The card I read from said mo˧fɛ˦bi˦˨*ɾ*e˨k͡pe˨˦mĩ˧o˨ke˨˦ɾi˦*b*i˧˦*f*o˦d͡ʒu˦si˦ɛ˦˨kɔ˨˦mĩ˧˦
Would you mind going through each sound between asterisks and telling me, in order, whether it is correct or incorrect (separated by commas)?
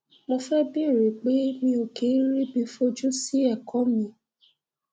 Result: correct, correct, correct